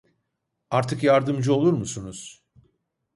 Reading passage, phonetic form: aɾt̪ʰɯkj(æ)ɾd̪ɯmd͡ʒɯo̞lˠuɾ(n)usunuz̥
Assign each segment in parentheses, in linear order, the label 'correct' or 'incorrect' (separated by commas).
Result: incorrect, incorrect